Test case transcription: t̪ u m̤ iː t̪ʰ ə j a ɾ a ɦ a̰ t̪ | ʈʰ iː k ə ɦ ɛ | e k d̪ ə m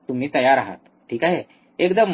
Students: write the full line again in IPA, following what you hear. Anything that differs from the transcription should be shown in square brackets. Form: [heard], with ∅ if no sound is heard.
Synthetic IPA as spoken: t̪ u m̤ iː [t̪] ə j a ɾ a ɦ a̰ t̪ | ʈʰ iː k [a] ɦ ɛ | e k d̪ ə m